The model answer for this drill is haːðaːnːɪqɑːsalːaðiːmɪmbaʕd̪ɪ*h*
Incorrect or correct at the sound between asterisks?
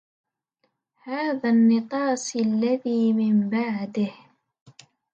correct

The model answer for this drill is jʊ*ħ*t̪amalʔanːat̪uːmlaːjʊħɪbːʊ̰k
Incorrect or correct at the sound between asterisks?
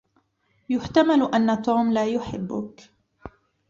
correct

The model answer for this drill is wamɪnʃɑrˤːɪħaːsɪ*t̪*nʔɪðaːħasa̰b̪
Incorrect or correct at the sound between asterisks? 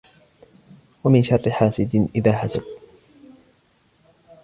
incorrect: d̪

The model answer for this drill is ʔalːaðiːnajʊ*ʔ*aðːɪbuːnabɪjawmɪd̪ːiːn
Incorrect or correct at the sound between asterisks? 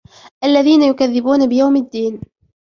incorrect: k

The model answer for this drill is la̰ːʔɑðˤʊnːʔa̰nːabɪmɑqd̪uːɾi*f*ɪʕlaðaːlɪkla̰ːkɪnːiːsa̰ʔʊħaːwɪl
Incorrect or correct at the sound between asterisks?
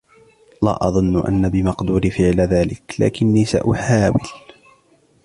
correct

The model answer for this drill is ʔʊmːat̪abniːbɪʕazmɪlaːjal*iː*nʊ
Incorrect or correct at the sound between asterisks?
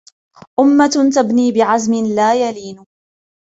correct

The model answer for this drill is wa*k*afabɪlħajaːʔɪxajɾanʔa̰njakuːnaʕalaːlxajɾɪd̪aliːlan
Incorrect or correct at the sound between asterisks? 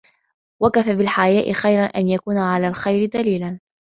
correct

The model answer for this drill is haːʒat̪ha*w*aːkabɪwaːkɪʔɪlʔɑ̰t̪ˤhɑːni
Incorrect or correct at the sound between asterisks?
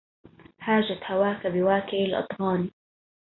correct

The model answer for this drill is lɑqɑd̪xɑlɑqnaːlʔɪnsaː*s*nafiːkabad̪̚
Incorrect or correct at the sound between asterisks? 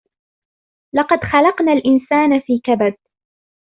incorrect: none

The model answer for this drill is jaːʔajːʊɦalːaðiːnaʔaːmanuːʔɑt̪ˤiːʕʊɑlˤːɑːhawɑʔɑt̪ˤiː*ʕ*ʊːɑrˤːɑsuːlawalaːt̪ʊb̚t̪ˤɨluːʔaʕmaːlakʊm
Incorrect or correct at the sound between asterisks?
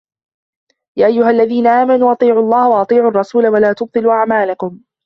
correct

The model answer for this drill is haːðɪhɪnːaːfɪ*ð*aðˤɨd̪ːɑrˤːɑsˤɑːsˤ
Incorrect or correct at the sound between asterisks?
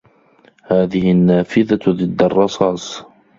correct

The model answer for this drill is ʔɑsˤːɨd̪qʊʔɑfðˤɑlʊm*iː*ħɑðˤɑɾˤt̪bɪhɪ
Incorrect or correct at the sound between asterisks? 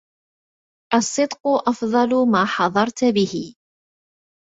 incorrect: aː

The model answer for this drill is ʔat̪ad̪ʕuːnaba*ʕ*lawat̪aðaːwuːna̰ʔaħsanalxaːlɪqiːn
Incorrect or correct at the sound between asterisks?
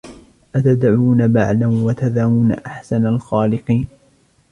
correct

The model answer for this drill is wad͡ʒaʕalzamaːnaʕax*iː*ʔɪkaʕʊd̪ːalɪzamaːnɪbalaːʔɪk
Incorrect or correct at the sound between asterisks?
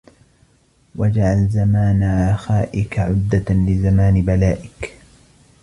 incorrect: aː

